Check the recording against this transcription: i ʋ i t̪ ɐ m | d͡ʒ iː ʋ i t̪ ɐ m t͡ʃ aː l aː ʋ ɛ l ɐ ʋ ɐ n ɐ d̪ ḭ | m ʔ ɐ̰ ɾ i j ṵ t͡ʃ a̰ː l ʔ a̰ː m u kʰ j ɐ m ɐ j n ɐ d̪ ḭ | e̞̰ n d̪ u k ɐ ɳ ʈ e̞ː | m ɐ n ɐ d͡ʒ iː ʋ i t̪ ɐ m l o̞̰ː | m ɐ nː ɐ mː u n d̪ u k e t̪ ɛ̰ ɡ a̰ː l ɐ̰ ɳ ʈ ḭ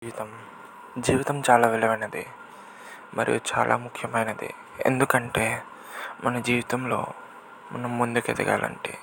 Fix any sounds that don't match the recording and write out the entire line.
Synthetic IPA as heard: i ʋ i t̪ ɐ m | d͡ʒ iː ʋ i t̪ ɐ m t͡ʃ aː l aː ʋ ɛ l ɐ ʋ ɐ n ɐ d̪ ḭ | m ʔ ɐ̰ ɾ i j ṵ t͡ʃ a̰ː l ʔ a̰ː m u kʰ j ɐ m ɐ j n ɐ d̪ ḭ | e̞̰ n d̪ u k ɐ ɳ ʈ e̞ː | m ɐ n ɐ d͡ʒ iː ʋ i t̪ ɐ m l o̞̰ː | m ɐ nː ɐ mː u n d̪ u k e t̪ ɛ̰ ɡ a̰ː l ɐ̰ ɳ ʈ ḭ